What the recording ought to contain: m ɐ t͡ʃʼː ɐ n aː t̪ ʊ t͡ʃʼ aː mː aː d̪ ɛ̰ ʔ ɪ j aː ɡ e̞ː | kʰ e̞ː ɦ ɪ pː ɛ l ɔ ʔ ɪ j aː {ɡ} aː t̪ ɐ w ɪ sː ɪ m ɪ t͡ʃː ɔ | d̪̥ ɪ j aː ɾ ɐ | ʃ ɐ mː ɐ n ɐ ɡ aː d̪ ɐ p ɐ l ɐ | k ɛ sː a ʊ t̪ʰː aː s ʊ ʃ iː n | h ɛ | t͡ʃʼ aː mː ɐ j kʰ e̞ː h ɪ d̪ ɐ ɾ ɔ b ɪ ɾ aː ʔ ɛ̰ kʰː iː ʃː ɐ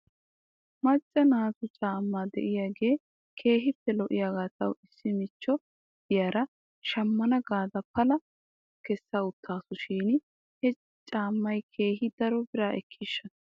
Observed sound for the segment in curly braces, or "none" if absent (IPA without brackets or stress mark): ɡ